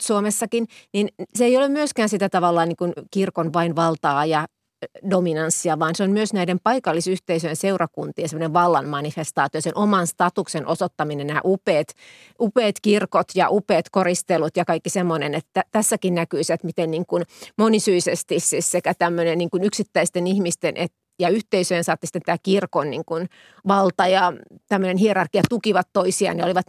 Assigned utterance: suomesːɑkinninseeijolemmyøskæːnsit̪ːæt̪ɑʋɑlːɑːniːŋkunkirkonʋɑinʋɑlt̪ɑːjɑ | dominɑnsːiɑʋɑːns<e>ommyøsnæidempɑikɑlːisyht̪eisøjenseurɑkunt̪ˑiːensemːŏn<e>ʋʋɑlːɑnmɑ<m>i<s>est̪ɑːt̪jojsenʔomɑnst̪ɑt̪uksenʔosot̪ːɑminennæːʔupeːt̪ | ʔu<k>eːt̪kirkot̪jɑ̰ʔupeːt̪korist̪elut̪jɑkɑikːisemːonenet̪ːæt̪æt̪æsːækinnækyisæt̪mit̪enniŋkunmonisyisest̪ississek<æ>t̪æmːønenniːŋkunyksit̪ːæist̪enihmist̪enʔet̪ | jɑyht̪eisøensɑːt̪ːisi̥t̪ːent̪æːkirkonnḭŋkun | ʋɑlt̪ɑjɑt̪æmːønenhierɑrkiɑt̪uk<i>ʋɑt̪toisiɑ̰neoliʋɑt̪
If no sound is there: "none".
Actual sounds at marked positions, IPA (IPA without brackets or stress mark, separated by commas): e, e, n, f, p, æ, i